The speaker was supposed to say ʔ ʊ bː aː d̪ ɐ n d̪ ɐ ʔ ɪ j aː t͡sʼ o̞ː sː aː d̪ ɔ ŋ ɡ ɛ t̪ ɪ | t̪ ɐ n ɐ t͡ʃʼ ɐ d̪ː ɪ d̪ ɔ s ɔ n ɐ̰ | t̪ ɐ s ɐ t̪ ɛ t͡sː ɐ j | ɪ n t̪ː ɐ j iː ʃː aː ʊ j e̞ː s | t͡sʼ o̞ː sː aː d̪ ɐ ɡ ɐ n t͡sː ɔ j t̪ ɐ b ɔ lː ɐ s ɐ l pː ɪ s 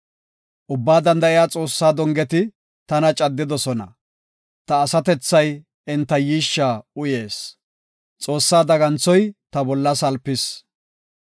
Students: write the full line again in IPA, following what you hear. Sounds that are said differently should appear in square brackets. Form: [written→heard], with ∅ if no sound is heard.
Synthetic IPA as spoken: ʔ ʊ bː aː d̪ ɐ n d̪ ɐ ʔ ɪ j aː t͡sʼ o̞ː sː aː d̪ ɔ ŋ ɡ ɛ t̪ ɪ | t̪ ɐ n ɐ t͡ʃʼ ɐ d̪ː ɪ d̪ ɔ s ɔ n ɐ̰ | t̪ [ɐ→ɐː] s ɐ t̪ ɛ t͡sː ɐ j | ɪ n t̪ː ɐ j iː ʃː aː ʊ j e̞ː s | t͡sʼ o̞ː sː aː d̪ ɐ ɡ ɐ n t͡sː ɔ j t̪ ɐ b ɔ lː ɐ s ɐ l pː ɪ s